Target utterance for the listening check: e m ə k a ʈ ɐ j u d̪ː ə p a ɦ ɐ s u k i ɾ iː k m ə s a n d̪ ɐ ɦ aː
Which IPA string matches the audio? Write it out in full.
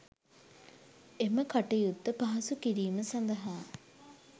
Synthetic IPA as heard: e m ə k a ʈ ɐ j u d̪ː ə p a ɦ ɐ s u k i ɾ iː m ə s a n d̪ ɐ ɦ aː